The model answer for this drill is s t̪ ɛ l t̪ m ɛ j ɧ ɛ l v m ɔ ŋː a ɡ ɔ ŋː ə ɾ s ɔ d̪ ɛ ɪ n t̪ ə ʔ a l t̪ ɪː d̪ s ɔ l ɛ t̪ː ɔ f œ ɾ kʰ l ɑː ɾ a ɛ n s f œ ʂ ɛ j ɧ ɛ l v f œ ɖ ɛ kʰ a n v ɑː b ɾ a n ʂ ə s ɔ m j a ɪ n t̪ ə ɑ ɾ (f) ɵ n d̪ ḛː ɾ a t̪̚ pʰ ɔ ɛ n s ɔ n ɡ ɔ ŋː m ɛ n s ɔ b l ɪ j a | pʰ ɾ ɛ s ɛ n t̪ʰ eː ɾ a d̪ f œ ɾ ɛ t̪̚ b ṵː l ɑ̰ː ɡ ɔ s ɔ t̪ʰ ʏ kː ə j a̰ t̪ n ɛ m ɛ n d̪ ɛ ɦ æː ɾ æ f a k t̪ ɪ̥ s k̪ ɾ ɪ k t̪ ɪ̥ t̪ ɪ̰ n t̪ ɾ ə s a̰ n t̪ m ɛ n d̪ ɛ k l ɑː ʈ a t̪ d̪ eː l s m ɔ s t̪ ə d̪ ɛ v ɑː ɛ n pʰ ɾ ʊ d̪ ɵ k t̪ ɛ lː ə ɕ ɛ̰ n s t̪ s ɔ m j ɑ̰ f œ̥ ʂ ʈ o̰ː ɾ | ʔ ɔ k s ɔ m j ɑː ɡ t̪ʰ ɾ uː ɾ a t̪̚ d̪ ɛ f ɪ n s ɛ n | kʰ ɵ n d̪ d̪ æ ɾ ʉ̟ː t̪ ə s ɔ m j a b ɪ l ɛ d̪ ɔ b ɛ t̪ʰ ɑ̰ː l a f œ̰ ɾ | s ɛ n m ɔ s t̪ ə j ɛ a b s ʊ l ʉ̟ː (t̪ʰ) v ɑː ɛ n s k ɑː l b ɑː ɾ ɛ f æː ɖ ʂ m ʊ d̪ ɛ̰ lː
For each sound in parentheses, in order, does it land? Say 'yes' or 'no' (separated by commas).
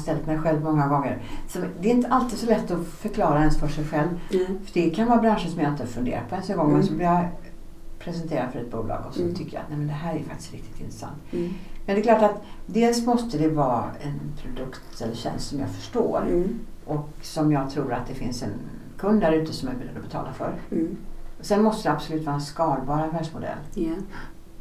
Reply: yes, no